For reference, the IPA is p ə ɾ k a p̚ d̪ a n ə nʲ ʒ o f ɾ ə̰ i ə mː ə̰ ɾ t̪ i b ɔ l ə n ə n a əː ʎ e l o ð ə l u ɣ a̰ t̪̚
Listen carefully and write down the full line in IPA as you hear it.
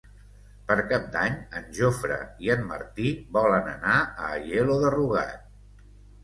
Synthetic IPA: p ə ɾ k a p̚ d̪ a ɲ ə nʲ ʒ o f ɾ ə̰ i ə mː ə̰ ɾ t̪ i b ɔ l ə n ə n a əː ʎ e l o ð ə r u ɣ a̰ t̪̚